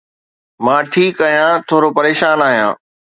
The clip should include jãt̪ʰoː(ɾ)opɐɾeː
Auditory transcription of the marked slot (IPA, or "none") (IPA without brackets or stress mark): ɾ